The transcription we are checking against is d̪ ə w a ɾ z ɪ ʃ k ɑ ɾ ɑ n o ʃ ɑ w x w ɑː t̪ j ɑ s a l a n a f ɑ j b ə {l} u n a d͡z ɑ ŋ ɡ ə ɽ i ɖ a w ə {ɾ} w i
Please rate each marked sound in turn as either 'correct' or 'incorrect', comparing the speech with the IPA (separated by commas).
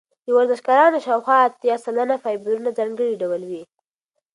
incorrect, incorrect